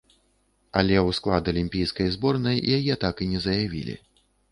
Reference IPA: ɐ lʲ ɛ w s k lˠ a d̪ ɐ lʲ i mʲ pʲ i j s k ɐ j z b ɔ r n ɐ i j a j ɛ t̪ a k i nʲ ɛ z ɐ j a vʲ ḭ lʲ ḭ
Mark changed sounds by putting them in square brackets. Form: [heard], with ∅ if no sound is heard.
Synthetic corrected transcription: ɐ lʲ ɛ w s k lˠ a d̪ ɐ lʲ i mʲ pʲ i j s k ɐ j z b ɔ r n ɐ [j] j a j ɛ t̪ a k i nʲ ɛ z ɐ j a vʲ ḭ lʲ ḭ